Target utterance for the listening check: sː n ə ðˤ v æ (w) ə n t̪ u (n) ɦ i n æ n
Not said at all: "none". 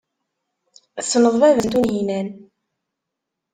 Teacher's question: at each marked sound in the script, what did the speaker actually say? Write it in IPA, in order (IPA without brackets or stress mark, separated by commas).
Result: v, n